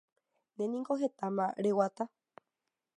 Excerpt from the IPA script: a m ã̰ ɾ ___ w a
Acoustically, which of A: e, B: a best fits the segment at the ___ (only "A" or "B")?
A